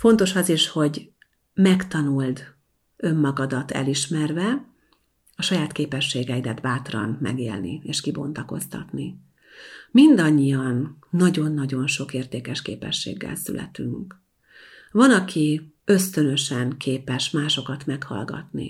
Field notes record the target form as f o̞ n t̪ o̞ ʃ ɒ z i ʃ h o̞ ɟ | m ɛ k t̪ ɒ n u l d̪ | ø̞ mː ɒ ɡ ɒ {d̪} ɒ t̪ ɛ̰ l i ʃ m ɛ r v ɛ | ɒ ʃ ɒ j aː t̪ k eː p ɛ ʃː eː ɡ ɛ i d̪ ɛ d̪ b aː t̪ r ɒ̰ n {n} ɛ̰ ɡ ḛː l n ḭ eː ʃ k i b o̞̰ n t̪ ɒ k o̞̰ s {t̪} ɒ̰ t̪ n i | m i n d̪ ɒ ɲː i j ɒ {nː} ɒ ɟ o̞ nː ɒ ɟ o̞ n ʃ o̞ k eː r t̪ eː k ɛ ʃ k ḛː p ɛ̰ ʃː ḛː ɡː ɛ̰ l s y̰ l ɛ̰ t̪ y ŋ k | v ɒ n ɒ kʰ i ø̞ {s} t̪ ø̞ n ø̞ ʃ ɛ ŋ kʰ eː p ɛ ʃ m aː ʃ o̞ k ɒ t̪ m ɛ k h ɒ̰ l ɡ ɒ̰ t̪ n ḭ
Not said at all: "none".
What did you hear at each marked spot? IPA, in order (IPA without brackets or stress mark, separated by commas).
d̪, m, t̪, nː, s